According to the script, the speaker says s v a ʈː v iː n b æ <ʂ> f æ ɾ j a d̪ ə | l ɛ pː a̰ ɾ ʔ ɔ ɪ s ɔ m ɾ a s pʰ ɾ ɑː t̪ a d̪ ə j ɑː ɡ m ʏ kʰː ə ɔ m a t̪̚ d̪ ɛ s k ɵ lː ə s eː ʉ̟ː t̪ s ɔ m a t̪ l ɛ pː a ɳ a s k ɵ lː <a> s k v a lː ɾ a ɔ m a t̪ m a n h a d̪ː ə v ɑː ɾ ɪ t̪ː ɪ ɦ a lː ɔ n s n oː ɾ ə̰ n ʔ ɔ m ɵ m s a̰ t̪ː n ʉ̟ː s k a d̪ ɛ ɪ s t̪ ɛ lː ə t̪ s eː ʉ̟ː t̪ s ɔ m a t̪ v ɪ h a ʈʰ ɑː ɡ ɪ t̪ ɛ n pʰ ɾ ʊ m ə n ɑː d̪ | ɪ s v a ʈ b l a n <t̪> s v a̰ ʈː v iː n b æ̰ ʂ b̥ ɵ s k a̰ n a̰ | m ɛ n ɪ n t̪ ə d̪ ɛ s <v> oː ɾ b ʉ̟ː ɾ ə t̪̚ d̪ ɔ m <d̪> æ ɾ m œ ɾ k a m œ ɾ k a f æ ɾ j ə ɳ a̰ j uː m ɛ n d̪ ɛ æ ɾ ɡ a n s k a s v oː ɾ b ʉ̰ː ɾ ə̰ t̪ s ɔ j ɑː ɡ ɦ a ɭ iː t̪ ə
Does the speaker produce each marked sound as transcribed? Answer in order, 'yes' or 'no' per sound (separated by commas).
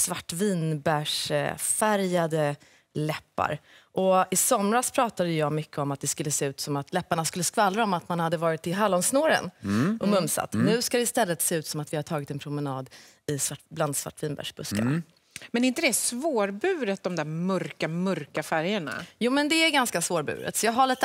yes, no, no, yes, yes